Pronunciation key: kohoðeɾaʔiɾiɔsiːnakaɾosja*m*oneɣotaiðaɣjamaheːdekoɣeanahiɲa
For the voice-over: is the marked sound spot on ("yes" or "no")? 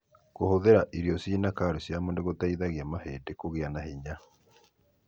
yes